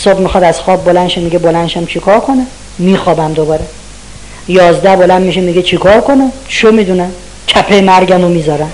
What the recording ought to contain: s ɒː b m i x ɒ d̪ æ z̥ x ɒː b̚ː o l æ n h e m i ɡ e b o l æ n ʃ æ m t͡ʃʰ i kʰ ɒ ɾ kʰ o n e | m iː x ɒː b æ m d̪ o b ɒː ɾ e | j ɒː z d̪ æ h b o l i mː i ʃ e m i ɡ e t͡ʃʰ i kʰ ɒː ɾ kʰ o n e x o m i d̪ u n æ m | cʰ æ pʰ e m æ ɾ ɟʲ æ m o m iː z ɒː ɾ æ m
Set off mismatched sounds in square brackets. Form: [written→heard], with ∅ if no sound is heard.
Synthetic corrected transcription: s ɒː b m i x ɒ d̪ æ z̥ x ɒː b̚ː o l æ n [h→ʃ] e m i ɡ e b o l æ n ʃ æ m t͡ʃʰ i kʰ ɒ ɾ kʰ o n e | m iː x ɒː b æ m d̪ o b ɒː ɾ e | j ɒː z d̪ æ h b o l [i→æ] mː i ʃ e m i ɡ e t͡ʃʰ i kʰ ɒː ɾ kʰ o n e [x→ʃ] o m i d̪ u n æ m | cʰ æ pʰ e m æ ɾ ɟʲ æ m o m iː z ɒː ɾ æ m